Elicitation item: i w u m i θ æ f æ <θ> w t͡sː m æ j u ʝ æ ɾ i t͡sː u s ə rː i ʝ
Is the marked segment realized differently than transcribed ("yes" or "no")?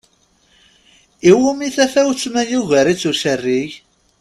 yes